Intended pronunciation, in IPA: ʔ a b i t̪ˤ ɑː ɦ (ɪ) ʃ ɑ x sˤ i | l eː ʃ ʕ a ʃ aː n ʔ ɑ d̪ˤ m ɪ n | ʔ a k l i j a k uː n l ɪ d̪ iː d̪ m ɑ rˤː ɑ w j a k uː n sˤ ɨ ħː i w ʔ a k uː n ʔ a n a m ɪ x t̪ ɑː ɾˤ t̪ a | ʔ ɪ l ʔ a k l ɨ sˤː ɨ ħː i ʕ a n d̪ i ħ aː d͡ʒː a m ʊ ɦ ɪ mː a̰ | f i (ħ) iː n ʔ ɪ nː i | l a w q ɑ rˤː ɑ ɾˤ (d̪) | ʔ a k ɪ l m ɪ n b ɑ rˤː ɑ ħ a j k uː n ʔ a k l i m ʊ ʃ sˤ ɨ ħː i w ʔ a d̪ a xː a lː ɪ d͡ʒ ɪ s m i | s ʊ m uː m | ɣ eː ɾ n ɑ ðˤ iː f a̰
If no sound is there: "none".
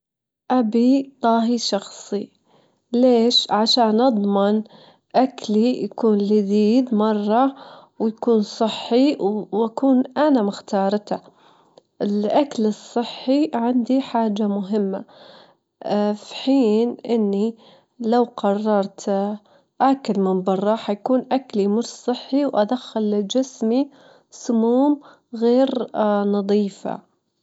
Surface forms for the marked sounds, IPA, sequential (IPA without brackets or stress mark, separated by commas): i, ħ, t̪